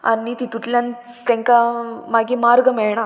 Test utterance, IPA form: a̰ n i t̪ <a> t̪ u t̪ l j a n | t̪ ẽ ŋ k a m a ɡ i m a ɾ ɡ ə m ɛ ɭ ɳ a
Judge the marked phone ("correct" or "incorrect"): incorrect